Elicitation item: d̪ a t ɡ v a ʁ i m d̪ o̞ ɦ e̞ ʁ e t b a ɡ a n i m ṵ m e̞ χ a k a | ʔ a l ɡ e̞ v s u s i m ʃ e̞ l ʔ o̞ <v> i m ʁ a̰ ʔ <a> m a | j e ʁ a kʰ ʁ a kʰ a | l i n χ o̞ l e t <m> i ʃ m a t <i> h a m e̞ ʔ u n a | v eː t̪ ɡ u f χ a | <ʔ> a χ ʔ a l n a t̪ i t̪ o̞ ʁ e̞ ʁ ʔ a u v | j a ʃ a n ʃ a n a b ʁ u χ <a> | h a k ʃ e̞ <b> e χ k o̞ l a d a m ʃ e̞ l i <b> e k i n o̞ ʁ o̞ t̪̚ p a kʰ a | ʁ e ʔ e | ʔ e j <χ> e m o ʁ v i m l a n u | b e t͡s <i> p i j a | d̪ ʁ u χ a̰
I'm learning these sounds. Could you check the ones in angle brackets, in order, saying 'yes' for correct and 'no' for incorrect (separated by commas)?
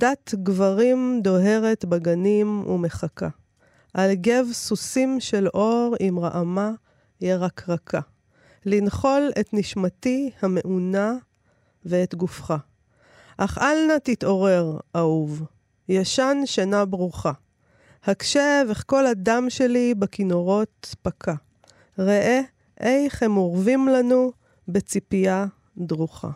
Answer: no, yes, no, yes, yes, yes, no, yes, yes, yes